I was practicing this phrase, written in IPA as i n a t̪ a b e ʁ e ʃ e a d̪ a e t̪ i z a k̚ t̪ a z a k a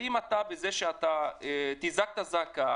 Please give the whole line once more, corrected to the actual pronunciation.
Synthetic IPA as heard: i m a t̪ a b e z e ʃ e a t̪ a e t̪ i z a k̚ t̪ a z a k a